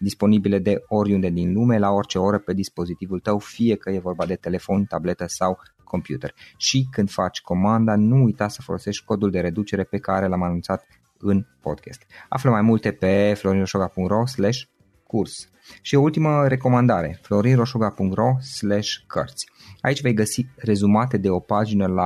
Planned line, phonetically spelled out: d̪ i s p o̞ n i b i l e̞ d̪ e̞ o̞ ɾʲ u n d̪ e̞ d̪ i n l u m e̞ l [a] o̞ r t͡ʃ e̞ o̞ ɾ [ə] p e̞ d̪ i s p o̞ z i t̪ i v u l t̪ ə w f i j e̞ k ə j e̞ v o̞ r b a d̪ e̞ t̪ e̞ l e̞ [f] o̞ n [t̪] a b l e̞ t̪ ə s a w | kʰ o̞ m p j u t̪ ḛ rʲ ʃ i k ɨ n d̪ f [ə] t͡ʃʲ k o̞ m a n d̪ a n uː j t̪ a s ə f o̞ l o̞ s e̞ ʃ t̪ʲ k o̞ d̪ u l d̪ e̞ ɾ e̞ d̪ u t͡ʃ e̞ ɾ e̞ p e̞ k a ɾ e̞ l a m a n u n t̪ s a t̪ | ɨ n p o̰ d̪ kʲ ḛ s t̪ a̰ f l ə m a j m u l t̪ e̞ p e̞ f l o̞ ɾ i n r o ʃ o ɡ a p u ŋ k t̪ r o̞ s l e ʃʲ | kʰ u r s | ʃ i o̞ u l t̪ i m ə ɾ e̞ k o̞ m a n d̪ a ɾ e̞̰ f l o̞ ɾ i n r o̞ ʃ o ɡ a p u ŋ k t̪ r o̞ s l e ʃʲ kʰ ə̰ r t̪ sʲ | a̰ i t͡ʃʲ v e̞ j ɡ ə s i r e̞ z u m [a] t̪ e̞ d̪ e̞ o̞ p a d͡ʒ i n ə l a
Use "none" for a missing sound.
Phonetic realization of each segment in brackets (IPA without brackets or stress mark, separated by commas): a, ə, f, t̪, a, a